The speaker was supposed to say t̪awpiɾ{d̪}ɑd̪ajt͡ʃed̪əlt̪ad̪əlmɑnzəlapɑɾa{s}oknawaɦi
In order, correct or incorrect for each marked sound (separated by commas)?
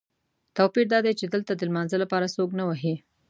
correct, correct